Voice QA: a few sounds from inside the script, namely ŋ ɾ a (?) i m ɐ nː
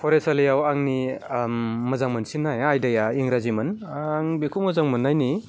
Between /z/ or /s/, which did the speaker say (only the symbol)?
z